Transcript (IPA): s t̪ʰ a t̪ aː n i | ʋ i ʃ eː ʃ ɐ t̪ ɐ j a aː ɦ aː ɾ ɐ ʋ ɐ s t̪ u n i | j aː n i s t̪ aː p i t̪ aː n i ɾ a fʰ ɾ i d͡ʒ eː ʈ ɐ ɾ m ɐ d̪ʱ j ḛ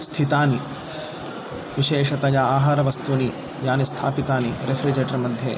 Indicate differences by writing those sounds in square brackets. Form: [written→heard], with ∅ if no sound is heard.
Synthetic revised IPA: s t̪ʰ [a→i] t̪ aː n i | ʋ i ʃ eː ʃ ɐ t̪ ɐ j a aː ɦ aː ɾ ɐ ʋ ɐ s t̪ u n i | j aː n i s [t̪→t̪ʰ] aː p i t̪ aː n i ɾ [a→e] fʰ ɾ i d͡ʒ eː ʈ ɐ ɾ m ɐ d̪ʱ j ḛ

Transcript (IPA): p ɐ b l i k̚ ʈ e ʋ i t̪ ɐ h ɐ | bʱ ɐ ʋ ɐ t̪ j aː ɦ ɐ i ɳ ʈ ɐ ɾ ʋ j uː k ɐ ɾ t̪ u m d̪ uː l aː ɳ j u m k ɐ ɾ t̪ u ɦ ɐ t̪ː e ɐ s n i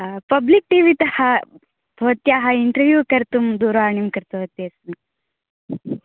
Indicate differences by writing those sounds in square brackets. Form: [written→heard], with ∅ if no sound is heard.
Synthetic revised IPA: p ɐ b l i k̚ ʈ [e→i] ʋ i t̪ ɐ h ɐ | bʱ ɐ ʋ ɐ t̪ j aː ɦ ɐ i ɳ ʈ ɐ ɾ ʋ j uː k ɐ ɾ t̪ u m d̪ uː [l→ɾ] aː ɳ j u m k ɐ ɾ t̪ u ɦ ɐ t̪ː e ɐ s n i

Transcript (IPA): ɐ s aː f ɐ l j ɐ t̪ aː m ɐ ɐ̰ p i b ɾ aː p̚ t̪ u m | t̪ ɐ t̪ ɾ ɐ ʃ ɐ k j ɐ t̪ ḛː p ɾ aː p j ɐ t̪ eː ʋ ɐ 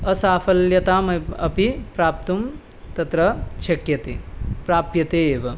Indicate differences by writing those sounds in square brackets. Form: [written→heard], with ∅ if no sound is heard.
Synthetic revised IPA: ɐ s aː f ɐ l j ɐ t̪ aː m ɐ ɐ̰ p i [b→p] ɾ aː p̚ t̪ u m | t̪ ɐ t̪ ɾ ɐ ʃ ɐ k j ɐ t̪ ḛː p ɾ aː p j ɐ t̪ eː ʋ ɐ

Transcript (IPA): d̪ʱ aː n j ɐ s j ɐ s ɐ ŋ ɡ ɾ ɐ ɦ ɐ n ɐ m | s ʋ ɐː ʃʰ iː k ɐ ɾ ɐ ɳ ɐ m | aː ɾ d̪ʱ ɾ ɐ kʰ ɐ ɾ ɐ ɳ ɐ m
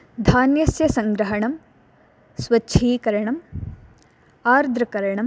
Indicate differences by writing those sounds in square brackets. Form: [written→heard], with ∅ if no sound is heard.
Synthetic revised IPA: d̪ʱ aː n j ɐ s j ɐ s ɐ ŋ ɡ ɾ ɐ ɦ ɐ [n→ɳ] ɐ m | s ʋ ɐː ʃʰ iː k ɐ ɾ ɐ ɳ ɐ m | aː ɾ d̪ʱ ɾ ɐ [kʰ→k] ɐ ɾ ɐ ɳ ɐ m

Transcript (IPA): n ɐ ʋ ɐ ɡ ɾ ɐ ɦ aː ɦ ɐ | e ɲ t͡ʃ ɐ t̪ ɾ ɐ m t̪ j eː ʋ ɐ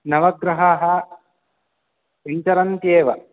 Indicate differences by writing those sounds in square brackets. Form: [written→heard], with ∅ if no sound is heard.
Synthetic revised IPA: n ɐ ʋ ɐ ɡ ɾ ɐ ɦ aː ɦ ɐ | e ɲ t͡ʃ ɐ [t̪→∅] ɾ ɐ [m→n] t̪ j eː ʋ ɐ

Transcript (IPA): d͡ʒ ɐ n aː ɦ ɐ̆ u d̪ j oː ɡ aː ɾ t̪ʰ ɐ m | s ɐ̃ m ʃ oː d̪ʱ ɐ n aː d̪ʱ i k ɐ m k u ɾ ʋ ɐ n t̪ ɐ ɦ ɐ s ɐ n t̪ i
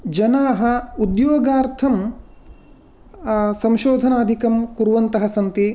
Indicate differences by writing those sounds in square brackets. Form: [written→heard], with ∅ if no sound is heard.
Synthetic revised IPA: d͡ʒ ɐ n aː ɦ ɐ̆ u d̪ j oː ɡ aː ɾ t̪ʰ ɐ m | s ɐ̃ m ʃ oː d̪ʱ ɐ n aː d̪ʱ i k ɐ m k u ɾ ʋ ɐ n t̪ ɐ ɦ ɐ s ɐ n t̪ i

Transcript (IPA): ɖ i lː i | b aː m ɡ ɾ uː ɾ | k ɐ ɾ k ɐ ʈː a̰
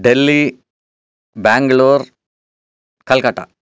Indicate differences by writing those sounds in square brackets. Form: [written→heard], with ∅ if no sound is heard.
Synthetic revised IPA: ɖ [i→e] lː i | b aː [m→ŋ] ɡ [ɾ→ɭ] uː ɾ | k ɐ [ɾ→l] k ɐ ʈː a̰

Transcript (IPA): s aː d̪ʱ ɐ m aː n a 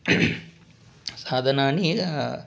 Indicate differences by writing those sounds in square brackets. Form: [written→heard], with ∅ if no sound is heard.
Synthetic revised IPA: s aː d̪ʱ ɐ [m→n] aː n [a→i]

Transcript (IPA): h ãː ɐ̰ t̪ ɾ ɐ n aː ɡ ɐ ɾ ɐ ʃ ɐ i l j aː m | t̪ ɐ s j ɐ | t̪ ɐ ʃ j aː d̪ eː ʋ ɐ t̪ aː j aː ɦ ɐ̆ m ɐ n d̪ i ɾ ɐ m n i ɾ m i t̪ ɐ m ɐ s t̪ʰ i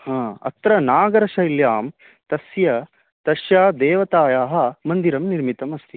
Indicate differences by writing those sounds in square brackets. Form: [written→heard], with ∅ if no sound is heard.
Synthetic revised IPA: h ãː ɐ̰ t̪ ɾ ɐ n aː ɡ ɐ ɾ ɐ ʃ ɐ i l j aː m | t̪ ɐ s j ɐ | t̪ ɐ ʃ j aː d̪ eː ʋ ɐ t̪ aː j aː ɦ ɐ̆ m ɐ n d̪ i ɾ ɐ m n i ɾ m i t̪ ɐ m ɐ s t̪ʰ i

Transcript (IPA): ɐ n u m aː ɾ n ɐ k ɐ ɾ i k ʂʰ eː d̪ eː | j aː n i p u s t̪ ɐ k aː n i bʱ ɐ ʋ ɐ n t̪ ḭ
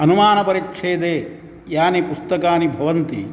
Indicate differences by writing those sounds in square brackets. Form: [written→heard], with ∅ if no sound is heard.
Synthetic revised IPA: ɐ n u m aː [ɾ→∅] n ɐ [k→p] ɐ ɾ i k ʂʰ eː d̪ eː | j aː n i p u s t̪ ɐ k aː n i bʱ ɐ ʋ ɐ n t̪ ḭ

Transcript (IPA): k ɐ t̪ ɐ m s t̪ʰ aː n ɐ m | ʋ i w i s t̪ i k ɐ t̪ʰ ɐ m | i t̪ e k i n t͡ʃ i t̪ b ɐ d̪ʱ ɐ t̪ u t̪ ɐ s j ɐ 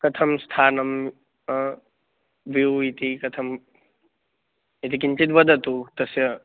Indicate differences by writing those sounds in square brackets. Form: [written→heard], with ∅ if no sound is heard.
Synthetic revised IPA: k ɐ [t̪→t̪ʰ] ɐ m s t̪ʰ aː n ɐ m | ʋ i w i [s→∅] t̪ i k ɐ t̪ʰ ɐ m | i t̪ [e→i] k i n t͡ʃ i t̪ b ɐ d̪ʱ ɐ t̪ u t̪ ɐ s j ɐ

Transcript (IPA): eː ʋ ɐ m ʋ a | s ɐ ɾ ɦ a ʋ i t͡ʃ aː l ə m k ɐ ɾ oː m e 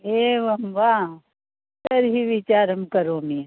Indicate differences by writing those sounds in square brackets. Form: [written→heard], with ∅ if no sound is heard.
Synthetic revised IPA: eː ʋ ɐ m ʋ a | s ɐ ɾ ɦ [a→i] ʋ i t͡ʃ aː [l→ɾ] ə m k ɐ ɾ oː m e

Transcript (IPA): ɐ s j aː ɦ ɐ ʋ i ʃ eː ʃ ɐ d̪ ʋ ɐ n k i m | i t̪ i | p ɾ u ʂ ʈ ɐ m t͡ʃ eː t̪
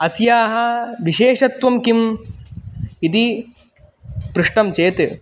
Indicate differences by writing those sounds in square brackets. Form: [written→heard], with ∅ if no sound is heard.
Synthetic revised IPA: ɐ s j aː ɦ ɐ ʋ i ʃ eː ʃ ɐ [d̪→t̪] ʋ ɐ [n→m] k i m | i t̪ i | p ɾ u ʂ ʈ ɐ m t͡ʃ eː t̪

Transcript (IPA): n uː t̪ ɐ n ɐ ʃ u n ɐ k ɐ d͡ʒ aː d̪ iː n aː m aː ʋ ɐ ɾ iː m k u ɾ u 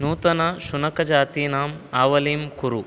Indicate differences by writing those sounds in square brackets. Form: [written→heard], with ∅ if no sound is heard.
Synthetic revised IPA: n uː t̪ ɐ n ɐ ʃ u n ɐ k ɐ d͡ʒ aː [d̪→t̪] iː n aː m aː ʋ ɐ [ɾ→l] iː m k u ɾ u

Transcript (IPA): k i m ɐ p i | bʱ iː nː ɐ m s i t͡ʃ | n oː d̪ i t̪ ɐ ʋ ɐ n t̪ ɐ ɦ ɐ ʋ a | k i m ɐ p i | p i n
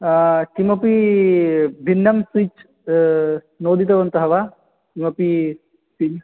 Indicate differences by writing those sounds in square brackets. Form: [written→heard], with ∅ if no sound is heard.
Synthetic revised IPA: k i m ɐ p i | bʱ [iː→i] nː ɐ m s i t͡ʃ | n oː d̪ i t̪ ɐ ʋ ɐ n t̪ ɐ ɦ ɐ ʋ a | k i m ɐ p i | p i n

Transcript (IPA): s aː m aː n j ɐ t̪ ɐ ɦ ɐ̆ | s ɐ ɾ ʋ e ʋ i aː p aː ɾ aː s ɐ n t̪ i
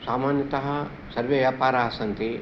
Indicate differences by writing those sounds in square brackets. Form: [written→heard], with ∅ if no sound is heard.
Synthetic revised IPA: s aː m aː n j ɐ t̪ ɐ ɦ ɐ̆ | s ɐ ɾ ʋ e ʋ [i→j] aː p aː ɾ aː s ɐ n t̪ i

